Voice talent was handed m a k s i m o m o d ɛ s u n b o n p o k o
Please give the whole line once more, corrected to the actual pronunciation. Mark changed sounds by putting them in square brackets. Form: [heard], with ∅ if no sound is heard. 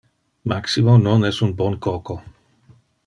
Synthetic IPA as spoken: m a k s i m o [n] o [n] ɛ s u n b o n [k] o k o